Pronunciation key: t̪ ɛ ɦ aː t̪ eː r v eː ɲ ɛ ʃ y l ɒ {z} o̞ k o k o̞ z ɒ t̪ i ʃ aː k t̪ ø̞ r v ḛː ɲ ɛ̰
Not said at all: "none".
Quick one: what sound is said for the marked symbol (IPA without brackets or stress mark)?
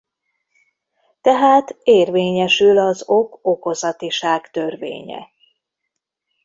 z